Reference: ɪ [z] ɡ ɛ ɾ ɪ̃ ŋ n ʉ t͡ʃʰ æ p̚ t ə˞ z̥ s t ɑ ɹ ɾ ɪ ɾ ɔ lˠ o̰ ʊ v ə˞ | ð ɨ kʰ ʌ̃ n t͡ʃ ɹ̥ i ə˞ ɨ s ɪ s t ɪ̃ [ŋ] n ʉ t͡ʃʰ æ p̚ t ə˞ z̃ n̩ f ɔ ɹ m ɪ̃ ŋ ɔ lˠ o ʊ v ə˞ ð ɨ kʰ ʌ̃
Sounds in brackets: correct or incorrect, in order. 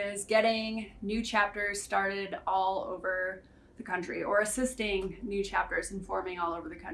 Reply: correct, correct

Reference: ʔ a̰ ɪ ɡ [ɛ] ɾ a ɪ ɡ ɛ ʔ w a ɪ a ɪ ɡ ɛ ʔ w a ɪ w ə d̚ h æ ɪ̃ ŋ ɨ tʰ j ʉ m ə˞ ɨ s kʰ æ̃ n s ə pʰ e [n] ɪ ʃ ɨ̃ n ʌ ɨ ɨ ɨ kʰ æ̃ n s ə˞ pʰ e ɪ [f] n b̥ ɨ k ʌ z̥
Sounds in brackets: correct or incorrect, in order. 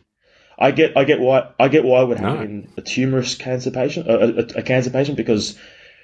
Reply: correct, incorrect: none, incorrect: ʃ

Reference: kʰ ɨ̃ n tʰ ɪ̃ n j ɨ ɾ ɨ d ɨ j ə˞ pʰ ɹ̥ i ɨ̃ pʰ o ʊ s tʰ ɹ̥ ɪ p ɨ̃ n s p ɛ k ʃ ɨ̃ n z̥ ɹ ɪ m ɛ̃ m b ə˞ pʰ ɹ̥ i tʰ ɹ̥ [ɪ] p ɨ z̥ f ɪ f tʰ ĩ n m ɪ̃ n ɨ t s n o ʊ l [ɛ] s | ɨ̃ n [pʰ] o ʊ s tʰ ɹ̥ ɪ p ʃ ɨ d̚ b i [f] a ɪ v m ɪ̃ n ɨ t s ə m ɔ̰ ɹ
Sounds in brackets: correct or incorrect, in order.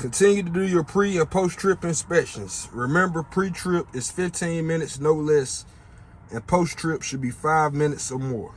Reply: correct, correct, correct, correct

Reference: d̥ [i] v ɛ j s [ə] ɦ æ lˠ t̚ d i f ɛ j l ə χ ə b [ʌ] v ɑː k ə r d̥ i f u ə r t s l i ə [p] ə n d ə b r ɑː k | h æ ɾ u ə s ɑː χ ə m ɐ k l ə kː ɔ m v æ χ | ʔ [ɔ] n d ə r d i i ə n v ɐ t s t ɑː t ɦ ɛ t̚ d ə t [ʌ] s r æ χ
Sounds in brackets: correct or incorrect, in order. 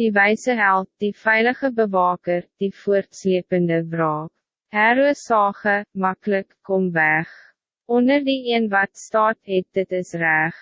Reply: correct, correct, incorrect: ə, correct, correct, incorrect: ə

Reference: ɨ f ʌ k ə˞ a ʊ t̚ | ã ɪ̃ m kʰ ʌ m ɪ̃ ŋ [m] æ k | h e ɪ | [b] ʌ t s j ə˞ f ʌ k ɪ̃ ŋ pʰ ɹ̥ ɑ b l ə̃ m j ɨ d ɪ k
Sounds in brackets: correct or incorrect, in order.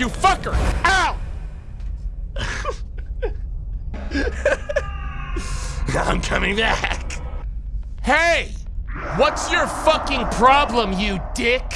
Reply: incorrect: b, incorrect: w

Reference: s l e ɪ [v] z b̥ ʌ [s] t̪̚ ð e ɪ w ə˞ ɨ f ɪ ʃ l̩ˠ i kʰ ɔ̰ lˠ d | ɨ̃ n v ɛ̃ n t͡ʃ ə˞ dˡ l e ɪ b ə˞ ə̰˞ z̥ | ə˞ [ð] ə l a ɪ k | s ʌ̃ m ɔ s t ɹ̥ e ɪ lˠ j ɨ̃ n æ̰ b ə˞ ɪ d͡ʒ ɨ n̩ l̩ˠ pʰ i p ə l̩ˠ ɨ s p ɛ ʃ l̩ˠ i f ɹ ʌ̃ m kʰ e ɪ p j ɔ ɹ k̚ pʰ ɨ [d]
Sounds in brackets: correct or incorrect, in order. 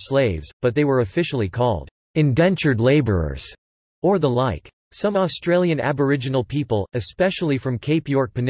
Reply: correct, incorrect: none, correct, incorrect: n

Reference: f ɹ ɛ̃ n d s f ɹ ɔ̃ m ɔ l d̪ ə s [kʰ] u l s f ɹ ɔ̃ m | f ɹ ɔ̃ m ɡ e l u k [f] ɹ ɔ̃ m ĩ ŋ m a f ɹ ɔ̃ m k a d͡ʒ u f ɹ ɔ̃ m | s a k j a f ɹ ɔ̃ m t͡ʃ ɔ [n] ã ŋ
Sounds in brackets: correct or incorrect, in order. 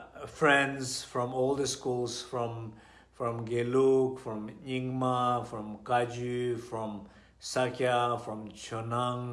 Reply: incorrect: k, correct, correct

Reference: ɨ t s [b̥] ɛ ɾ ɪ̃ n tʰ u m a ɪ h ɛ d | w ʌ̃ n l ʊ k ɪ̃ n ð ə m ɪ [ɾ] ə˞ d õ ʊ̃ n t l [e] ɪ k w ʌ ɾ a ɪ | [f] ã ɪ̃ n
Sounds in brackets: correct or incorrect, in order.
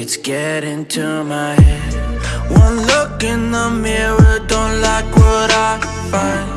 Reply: incorrect: ɡ̥, incorrect: ɹ, incorrect: a, correct

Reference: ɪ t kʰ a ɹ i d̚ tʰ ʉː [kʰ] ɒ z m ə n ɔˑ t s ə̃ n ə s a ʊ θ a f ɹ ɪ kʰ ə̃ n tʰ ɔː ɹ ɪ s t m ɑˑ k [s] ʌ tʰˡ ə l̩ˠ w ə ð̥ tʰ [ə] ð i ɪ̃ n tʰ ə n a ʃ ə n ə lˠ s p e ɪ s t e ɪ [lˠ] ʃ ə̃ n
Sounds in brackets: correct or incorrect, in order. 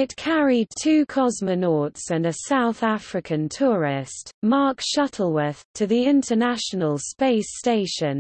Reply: correct, incorrect: ʃ, correct, incorrect: none

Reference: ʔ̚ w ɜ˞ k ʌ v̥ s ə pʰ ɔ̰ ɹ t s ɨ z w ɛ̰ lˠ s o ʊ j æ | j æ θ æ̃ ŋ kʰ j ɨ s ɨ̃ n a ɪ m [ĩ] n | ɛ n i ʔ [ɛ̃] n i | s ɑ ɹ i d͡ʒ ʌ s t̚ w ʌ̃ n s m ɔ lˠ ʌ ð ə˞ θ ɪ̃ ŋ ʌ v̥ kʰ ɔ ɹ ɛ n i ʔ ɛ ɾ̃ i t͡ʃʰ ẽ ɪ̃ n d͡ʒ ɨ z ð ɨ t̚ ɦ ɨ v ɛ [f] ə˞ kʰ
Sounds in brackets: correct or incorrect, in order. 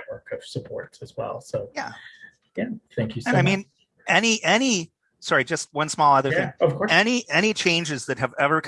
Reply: correct, incorrect: ɛ, incorrect: v

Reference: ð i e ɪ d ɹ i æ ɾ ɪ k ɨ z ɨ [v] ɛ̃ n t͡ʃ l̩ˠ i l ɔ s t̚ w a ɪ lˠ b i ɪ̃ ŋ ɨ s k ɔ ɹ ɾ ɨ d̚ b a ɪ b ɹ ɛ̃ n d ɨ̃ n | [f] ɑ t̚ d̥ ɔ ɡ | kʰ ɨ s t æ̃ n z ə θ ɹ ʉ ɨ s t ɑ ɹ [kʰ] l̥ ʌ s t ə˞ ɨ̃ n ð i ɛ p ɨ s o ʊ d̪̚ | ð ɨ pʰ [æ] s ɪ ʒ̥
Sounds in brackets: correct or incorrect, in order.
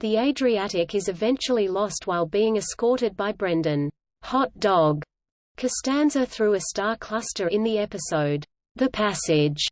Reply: correct, incorrect: h, correct, correct

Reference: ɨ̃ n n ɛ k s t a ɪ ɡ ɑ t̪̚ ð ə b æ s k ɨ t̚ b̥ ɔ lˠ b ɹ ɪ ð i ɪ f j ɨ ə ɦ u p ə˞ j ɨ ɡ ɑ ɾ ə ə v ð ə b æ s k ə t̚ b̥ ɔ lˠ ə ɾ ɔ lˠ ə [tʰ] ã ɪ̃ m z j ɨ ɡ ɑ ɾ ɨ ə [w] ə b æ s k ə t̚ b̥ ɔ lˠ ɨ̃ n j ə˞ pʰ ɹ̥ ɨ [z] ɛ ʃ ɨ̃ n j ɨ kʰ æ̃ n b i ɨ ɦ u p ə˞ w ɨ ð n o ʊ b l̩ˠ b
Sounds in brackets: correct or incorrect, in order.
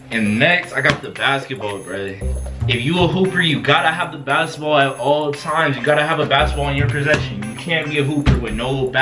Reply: correct, incorrect: v, correct

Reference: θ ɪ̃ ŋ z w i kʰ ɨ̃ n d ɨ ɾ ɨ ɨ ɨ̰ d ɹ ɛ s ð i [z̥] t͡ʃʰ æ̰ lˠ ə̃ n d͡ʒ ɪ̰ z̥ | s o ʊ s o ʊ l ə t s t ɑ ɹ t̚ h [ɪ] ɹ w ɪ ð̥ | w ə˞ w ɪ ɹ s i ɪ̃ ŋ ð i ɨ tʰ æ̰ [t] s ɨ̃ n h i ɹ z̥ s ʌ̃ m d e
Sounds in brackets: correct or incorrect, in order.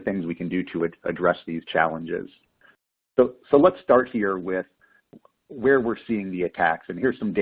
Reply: correct, incorrect: i, incorrect: k

